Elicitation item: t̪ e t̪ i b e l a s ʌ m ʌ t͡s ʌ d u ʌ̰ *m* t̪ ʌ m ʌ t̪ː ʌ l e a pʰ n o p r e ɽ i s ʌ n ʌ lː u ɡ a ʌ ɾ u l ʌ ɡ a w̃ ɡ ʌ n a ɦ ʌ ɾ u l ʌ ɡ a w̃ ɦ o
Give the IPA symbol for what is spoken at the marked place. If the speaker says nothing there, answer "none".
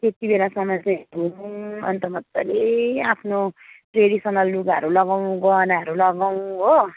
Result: n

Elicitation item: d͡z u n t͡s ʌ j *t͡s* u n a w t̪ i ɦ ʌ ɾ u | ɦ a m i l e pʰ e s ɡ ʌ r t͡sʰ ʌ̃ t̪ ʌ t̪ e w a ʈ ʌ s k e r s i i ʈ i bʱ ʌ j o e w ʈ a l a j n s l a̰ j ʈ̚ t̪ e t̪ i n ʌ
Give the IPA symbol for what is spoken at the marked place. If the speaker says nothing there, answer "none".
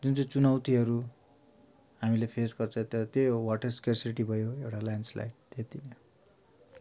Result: t͡s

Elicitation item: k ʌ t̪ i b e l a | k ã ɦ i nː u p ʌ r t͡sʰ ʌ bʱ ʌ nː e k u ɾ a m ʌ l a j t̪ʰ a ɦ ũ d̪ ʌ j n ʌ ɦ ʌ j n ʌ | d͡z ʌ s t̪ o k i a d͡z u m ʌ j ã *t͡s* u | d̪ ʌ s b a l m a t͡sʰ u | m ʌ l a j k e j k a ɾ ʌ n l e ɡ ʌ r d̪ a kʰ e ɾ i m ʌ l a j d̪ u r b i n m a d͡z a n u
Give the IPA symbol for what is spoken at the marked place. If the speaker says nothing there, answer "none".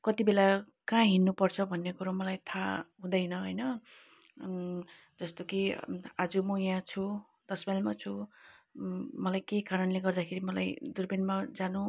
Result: t͡sʰ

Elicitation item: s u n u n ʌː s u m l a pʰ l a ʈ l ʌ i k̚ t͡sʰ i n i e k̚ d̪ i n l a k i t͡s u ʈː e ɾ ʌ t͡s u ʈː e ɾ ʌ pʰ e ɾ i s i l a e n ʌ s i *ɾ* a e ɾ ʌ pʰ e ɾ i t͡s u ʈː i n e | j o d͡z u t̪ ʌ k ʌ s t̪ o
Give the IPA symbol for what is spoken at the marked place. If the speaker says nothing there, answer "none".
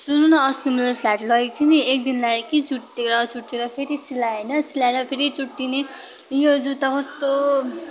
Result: l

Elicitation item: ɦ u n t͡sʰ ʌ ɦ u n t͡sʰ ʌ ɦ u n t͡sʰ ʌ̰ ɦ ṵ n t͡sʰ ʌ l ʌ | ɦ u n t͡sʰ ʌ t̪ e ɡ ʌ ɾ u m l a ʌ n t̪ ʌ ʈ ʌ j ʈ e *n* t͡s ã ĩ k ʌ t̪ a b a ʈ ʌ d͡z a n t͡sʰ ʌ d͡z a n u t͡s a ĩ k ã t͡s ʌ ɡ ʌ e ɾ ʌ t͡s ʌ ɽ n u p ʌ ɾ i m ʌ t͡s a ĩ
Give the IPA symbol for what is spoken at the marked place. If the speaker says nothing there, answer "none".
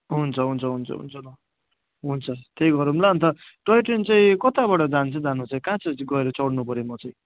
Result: n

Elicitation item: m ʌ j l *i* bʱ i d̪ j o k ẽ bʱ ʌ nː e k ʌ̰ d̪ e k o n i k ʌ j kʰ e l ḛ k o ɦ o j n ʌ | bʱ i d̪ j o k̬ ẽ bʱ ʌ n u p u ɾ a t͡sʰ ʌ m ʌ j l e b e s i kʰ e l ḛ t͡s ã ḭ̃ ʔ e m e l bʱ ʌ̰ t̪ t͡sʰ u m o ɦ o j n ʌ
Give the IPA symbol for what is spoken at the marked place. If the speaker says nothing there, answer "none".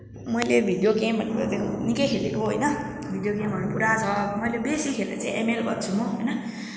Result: e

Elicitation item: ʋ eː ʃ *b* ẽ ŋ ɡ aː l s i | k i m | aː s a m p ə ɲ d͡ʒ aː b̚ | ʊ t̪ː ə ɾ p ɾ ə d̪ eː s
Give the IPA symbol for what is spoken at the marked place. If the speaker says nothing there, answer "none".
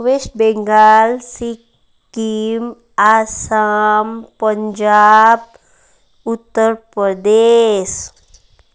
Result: b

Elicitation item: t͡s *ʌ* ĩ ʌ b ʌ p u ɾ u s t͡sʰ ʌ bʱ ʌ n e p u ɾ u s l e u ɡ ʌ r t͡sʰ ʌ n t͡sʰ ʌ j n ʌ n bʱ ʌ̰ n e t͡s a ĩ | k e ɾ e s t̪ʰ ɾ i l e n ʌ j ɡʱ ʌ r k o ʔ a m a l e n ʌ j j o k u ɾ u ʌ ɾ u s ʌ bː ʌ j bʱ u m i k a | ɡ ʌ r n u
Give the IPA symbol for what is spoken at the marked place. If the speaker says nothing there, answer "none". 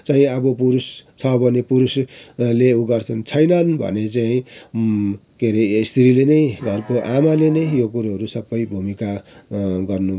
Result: a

